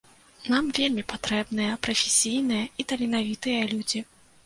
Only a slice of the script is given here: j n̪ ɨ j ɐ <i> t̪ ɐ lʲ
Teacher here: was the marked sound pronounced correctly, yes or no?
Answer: yes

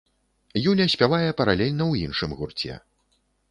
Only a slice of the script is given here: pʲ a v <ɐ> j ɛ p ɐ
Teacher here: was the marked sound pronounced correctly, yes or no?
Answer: no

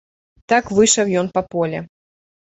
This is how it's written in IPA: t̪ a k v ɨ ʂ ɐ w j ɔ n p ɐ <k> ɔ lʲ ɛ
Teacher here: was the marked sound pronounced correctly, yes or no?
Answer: no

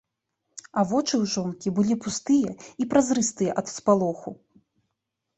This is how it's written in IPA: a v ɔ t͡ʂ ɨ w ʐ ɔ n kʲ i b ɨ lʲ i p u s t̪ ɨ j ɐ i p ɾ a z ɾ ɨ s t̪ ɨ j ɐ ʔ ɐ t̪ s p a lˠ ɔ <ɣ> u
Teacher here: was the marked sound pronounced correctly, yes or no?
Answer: no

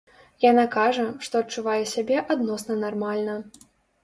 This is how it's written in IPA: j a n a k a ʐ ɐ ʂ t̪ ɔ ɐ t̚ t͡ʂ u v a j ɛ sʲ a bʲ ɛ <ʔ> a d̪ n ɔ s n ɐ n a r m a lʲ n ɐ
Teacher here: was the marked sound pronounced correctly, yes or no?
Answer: yes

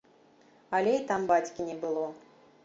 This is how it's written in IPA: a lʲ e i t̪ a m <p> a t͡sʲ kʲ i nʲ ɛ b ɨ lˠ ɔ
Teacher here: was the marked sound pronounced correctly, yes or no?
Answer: no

